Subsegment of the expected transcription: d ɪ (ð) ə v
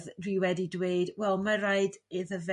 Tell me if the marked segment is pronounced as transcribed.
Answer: yes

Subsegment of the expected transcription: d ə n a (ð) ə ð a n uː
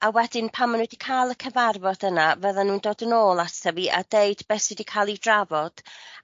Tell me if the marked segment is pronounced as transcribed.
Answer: no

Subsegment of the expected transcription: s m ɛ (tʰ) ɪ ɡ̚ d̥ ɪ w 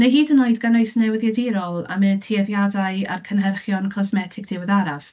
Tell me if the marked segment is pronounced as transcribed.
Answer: yes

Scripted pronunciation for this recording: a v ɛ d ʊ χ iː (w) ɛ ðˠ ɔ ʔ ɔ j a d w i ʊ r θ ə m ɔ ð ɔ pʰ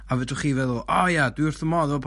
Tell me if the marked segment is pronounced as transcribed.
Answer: no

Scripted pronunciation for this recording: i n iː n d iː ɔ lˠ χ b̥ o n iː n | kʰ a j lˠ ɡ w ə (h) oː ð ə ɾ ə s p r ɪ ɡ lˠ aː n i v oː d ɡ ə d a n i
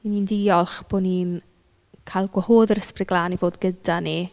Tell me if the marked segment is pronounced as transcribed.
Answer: yes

